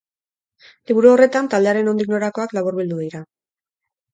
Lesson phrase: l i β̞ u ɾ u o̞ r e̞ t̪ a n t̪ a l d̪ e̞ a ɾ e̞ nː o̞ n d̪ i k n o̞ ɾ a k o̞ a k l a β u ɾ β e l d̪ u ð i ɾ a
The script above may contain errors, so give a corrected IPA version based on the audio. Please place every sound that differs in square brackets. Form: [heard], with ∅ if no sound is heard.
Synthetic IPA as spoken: l i β̞ u ɾ u o̞ r e̞ t̪ a n t̪ a l d̪ e̞ a ɾ e̞ [n] o̞ n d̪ i k n o̞ ɾ a k o̞ a k l a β u ɾ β [i] l d̪ u ð i ɾ a